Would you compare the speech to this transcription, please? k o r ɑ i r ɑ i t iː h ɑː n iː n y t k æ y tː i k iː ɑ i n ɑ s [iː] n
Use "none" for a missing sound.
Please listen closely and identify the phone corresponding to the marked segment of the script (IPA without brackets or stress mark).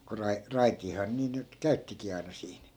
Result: iː